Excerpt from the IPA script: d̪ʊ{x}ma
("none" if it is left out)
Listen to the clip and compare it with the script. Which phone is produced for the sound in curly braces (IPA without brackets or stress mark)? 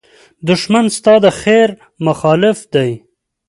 ʃ